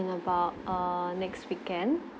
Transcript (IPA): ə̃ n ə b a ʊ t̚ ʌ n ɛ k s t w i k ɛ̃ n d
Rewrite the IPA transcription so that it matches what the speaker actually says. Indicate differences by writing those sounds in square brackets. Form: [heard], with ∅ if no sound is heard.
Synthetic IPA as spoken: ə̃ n ə b a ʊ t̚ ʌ n ɛ k s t w i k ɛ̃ n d